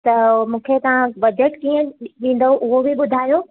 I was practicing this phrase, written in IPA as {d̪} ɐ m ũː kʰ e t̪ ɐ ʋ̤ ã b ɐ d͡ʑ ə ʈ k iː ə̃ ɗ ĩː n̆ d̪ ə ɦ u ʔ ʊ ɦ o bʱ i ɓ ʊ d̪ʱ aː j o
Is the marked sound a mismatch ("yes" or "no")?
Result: yes